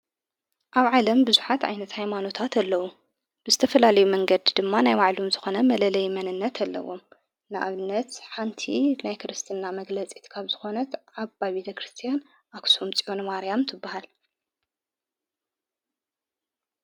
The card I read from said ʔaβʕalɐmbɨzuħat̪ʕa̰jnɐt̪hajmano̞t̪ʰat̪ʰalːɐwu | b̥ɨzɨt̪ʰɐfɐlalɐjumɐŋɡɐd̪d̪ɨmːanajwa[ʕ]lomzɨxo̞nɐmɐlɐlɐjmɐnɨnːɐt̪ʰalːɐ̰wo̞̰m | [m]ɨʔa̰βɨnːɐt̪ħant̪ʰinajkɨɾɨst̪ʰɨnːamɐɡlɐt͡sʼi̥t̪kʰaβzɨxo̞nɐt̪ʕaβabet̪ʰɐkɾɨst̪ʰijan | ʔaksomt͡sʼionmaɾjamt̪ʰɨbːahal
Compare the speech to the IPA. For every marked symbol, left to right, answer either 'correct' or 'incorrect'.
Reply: correct, incorrect: n

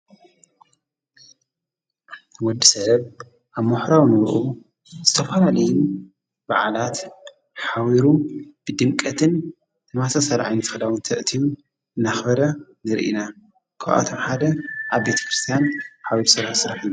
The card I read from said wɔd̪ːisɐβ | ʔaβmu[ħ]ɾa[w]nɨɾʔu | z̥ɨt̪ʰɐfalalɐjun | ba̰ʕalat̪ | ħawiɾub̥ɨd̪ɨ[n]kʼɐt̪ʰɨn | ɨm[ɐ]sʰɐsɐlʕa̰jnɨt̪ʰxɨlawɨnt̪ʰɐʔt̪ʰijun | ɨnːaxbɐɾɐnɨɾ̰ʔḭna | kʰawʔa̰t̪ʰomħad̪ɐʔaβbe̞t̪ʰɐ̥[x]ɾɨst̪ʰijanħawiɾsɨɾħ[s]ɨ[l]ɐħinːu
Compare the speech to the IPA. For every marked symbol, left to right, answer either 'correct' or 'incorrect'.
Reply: correct, correct, incorrect: m, incorrect: a, incorrect: k, correct, incorrect: ɾ

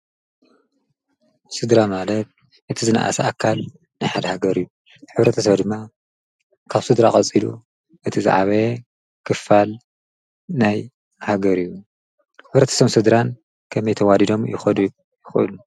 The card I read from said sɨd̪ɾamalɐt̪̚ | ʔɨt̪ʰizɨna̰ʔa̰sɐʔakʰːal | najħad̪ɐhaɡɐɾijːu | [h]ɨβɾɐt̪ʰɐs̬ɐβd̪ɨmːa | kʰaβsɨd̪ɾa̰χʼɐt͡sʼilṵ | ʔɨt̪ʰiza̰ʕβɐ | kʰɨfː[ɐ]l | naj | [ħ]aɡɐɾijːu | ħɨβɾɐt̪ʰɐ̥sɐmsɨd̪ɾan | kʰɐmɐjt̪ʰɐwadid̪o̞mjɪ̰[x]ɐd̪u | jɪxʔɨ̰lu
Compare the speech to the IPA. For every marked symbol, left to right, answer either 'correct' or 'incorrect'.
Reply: incorrect: ħ, incorrect: a, incorrect: h, correct

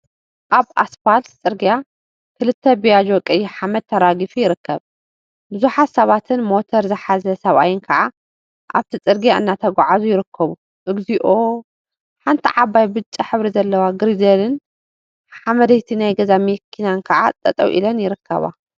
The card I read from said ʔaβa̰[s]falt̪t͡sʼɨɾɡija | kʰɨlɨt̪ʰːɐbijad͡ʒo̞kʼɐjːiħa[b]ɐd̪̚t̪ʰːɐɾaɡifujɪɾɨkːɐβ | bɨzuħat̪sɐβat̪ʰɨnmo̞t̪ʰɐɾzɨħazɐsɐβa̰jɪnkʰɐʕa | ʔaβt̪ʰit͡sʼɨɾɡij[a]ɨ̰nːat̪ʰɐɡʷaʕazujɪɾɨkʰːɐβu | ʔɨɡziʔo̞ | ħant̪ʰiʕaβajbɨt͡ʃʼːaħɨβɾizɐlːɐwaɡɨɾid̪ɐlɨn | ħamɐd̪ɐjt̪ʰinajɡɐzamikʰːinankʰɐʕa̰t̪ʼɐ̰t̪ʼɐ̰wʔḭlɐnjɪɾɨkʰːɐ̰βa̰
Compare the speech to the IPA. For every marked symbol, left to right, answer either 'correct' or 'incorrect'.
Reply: correct, incorrect: m, correct

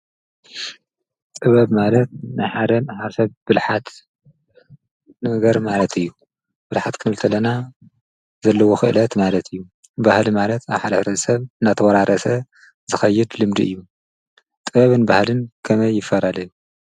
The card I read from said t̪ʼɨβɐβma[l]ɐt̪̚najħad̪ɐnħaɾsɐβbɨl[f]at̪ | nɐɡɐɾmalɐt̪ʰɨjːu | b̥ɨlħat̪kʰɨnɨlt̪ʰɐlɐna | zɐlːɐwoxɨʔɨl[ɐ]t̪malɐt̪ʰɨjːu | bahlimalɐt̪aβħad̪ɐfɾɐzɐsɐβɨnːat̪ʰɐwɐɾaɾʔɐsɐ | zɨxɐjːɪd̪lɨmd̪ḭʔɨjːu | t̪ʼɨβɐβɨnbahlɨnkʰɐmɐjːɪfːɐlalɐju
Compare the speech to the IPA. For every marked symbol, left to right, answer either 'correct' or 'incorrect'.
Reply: correct, incorrect: ħ, correct

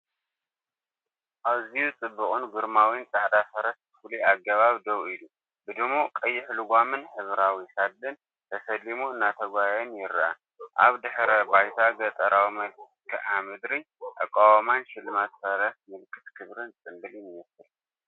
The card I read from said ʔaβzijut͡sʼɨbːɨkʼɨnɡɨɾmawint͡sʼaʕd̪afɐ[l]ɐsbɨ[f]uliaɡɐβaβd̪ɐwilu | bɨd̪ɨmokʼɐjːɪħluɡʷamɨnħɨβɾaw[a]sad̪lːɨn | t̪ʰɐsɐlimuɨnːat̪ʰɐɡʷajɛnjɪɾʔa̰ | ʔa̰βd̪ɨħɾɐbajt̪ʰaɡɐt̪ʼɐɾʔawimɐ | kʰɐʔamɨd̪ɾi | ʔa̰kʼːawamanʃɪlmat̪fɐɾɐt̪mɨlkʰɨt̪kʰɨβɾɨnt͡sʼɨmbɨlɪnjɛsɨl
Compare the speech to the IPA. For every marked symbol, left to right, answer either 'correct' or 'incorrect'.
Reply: incorrect: ɾ, correct, incorrect: i

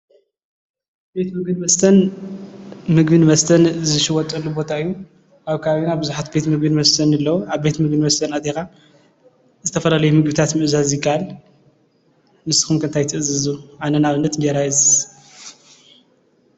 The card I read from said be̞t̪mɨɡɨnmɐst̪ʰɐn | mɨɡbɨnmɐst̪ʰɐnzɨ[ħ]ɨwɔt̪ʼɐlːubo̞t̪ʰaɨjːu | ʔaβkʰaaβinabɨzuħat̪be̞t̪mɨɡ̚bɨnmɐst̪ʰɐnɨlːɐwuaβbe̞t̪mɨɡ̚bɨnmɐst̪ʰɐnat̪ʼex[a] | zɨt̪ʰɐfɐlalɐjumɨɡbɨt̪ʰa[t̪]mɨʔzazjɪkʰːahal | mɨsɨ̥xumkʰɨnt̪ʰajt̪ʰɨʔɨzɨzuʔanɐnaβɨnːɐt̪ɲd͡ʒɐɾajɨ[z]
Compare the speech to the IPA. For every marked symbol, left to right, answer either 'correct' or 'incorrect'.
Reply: incorrect: ʃ, correct, correct, correct

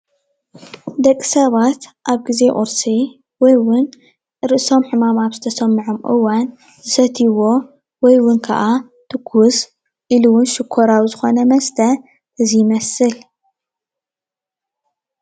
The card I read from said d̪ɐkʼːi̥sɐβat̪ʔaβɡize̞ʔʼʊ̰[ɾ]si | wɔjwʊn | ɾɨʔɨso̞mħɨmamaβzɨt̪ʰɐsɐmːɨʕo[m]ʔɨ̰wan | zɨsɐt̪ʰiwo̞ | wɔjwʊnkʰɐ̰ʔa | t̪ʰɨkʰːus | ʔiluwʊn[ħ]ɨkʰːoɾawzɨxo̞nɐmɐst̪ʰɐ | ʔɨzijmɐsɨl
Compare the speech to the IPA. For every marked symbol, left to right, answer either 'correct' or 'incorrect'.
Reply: correct, correct, incorrect: ʃ

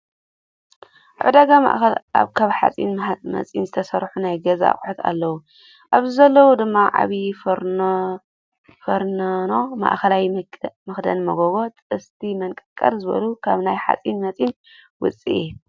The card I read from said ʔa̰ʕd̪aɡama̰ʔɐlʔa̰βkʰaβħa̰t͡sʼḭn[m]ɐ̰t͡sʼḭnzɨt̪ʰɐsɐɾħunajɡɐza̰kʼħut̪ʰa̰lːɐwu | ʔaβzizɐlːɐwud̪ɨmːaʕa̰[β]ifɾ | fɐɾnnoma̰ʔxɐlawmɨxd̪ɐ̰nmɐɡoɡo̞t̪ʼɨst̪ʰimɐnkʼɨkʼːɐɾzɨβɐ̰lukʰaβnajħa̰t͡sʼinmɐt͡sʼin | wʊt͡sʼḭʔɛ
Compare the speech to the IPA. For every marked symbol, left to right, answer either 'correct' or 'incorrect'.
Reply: correct, correct

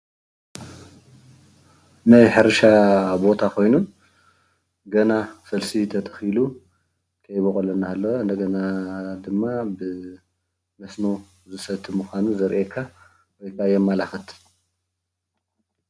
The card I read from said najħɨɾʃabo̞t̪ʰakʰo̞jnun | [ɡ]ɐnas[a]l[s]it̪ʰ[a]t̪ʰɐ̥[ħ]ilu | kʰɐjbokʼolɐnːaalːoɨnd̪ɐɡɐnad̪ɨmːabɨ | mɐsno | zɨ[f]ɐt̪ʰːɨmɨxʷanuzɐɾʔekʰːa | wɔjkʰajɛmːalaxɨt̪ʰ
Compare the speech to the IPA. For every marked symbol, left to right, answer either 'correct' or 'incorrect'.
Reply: correct, incorrect: ɐ, correct, incorrect: ɐ, incorrect: x, incorrect: s

